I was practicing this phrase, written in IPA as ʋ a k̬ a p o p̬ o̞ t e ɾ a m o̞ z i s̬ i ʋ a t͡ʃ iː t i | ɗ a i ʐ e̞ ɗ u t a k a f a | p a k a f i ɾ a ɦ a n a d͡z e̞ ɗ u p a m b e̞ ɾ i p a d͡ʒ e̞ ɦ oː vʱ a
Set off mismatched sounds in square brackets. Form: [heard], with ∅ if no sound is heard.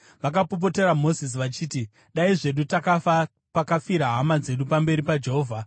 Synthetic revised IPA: ʋ a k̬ a p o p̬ o̞ t e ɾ a m o̞ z i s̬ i ʋ a t͡ʃ iː t i | ɗ a i ʐ e̞ ɗ u t a k a f a | p a k a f i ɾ a ɦ a [m] a d͡z e̞ ɗ u p a m b e̞ ɾ i p a d͡ʒ e̞ ɦ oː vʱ a